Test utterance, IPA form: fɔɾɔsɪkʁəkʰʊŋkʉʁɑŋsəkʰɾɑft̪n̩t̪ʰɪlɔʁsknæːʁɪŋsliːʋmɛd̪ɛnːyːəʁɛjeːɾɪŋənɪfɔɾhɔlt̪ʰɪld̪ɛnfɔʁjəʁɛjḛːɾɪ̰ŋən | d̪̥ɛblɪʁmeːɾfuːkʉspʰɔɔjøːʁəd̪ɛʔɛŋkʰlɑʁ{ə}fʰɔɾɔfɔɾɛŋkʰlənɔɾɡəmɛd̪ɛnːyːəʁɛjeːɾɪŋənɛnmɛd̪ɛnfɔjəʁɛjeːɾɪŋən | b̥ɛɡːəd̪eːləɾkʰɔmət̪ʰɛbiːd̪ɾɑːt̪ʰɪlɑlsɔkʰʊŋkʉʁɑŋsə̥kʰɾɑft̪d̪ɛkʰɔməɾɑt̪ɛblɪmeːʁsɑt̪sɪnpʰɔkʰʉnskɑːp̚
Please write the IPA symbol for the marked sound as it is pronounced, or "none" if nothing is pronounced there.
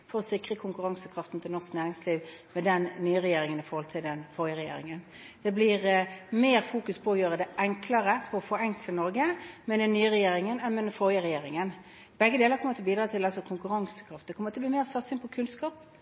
ə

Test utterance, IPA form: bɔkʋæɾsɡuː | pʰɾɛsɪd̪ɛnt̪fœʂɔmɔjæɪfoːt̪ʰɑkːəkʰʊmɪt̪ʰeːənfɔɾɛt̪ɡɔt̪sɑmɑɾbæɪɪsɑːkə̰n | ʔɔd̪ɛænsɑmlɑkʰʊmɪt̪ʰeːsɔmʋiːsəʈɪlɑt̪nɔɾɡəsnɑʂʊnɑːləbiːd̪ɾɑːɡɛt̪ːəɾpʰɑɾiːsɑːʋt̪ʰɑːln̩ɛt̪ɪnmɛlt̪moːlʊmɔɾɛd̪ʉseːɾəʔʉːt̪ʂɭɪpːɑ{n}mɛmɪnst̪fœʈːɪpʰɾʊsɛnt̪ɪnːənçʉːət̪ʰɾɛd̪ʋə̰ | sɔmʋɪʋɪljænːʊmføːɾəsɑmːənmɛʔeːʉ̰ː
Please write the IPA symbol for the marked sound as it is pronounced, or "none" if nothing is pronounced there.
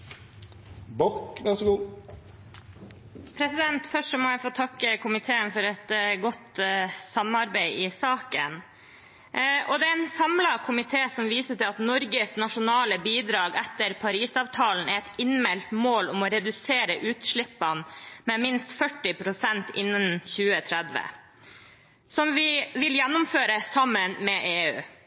n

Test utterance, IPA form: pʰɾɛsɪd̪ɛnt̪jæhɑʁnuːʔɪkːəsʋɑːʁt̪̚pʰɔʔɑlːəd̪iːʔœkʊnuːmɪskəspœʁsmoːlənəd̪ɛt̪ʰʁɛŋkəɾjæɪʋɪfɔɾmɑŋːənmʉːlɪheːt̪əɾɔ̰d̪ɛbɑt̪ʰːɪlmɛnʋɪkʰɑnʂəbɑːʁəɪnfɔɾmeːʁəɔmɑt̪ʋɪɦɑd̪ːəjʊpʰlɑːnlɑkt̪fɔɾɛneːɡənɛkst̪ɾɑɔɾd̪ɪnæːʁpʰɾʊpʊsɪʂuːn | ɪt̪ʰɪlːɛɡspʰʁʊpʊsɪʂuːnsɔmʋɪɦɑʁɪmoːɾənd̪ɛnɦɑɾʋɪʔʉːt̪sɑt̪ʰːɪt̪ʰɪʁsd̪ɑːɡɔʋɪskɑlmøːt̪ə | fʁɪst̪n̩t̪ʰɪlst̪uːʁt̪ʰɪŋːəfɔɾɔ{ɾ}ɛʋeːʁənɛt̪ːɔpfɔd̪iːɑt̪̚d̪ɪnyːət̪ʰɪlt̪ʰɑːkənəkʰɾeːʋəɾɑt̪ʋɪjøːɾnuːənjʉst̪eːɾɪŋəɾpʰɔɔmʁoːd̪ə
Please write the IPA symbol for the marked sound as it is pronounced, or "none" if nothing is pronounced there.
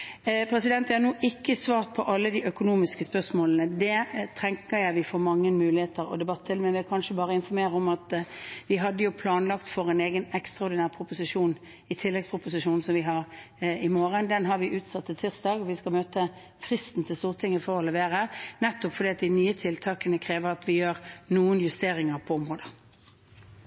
l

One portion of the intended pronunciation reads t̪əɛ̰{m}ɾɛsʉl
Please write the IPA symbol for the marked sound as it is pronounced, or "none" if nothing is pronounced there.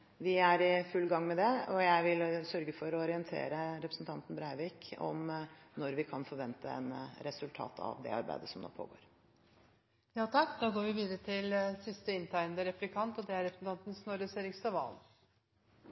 n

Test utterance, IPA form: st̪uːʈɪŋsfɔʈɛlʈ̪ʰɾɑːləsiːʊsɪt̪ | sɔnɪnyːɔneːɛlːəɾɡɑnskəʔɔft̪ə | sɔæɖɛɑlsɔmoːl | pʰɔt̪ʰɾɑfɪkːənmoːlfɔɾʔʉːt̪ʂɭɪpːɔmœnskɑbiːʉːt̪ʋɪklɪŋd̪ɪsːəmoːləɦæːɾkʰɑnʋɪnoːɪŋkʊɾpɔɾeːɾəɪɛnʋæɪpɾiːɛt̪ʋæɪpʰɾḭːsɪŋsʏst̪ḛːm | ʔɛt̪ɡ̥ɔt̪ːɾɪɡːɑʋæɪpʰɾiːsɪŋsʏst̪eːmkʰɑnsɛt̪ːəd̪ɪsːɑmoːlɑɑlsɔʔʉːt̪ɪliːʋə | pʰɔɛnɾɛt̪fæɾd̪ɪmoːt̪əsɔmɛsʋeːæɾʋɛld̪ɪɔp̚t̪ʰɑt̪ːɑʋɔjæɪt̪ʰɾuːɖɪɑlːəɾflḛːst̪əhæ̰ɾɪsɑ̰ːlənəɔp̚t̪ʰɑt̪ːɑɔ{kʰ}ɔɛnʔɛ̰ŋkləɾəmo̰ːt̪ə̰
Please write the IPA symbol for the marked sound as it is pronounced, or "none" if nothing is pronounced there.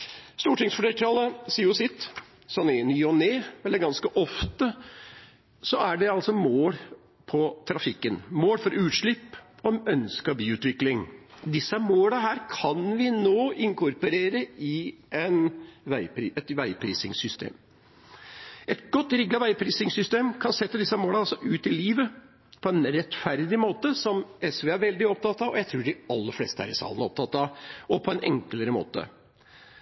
pʰ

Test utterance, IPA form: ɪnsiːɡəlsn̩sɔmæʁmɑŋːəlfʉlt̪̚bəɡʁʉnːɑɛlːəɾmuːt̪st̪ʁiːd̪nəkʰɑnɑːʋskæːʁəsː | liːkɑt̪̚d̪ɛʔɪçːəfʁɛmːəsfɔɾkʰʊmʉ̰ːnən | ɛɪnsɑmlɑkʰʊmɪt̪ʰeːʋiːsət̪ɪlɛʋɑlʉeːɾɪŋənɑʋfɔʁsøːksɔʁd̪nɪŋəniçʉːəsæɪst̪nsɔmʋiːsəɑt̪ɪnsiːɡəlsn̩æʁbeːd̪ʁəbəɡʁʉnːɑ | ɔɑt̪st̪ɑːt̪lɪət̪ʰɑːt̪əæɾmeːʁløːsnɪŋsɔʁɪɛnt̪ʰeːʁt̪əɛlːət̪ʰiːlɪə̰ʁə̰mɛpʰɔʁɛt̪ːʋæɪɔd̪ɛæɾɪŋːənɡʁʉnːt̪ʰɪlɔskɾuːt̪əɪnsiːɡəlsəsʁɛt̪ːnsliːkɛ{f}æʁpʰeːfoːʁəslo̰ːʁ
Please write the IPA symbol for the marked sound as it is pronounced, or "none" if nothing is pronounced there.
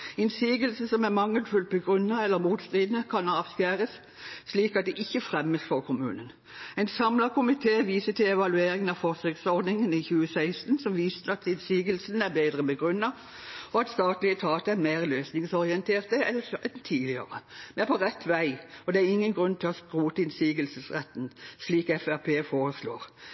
f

